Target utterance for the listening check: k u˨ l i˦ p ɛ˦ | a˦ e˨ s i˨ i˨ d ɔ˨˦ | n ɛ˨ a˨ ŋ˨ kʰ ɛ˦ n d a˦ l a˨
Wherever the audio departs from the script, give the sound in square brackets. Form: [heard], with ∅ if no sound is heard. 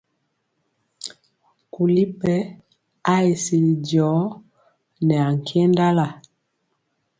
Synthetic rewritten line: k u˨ l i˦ p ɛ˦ | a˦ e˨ s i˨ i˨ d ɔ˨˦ | n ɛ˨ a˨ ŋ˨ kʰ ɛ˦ n d a˦ l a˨